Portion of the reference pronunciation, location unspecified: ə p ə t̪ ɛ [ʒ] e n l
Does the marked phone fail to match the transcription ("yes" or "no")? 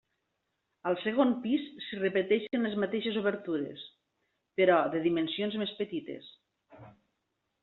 yes